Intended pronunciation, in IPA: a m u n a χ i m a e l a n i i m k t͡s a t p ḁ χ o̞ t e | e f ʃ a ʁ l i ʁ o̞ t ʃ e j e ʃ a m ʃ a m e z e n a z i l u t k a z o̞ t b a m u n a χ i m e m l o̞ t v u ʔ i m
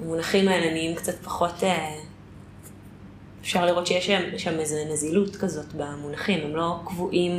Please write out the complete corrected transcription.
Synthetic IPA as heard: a m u n a χ i m a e l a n i i m k t͡s a t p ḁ χ o̞ t e | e f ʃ a ʁ l i ʁ o̞ t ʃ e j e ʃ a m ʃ a m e z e n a z i l u t k a z o̞ t b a m u n a χ i m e m l o̞ k v u ʔ i m